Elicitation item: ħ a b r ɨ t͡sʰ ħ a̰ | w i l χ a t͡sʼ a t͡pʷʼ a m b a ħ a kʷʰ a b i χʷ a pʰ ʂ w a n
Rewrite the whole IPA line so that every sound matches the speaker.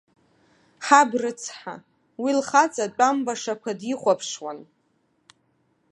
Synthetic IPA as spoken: ħ a b r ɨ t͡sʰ ħ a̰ | w i l χ a t͡sʼ a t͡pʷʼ a m b a ʂ a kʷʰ a d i χʷ a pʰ ʂ w a n

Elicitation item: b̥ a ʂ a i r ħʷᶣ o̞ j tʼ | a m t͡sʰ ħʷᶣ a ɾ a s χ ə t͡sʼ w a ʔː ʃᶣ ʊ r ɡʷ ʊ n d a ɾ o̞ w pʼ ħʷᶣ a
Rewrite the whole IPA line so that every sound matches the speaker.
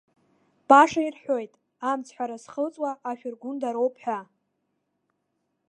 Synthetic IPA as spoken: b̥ a ʂ a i r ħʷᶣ o̞ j tʼ | a m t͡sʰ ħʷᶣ a ɾ a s χ ə t͡sʼ w a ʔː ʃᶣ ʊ r ɡʷ ʊ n d a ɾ o̞ w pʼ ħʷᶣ a

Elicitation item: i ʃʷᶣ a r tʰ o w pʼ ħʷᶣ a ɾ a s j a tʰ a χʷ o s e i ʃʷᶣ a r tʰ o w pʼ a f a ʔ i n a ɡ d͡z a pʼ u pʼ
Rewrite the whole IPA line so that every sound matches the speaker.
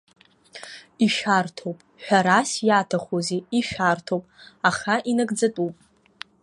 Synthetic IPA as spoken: i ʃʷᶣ a r tʰ o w pʼ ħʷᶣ a ɾ a s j a tʰ a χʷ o z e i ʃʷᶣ a r tʰ o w pʼ a χ a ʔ i n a ɡ d͡z a tʼ u pʼ

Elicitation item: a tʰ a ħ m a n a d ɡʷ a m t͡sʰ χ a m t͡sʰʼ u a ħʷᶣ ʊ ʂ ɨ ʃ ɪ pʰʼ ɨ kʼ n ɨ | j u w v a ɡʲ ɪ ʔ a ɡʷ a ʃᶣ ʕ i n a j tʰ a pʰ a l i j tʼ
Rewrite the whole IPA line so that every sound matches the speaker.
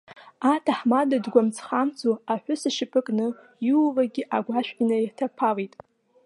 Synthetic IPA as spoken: a tʰ a ħ m a d a d ɡʷ a m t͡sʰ χ a m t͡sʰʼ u a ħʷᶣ ʊ s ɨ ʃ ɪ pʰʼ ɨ kʼ n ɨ | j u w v a ɡʲ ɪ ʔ a ɡʷ a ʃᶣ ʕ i n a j tʰ a pʰ a l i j tʼ

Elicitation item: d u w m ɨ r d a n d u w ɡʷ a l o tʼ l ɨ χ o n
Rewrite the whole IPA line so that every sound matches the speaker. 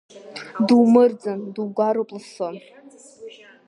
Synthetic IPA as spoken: d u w m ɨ r d͡z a n d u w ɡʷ a ɾ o pʼ l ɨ s o n

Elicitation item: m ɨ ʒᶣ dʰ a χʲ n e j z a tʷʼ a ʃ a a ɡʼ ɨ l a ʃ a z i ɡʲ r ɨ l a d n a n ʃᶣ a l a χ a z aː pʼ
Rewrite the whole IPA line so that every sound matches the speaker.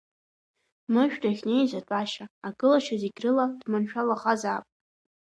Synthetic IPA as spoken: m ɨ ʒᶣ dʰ a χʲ n e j z a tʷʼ a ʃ a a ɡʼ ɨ l a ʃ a z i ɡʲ r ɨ l a d m a n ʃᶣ a l a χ a z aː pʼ

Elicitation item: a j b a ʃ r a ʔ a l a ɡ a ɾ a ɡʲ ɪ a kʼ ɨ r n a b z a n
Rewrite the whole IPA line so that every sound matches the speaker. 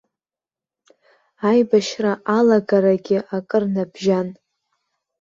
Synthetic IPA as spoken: a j b a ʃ r a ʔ a l a ɡ a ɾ a ɡʲ ɪ a kʼ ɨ r n a b ʒ a n

